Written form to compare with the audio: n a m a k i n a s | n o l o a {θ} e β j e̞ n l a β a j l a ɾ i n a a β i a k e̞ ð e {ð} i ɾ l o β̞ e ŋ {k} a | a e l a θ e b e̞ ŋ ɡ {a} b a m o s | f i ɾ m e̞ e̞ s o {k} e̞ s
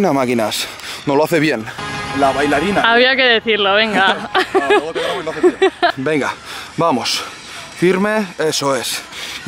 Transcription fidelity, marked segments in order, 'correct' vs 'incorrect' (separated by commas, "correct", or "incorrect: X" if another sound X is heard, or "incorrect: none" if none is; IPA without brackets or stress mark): correct, incorrect: θ, incorrect: ɡ, correct, incorrect: none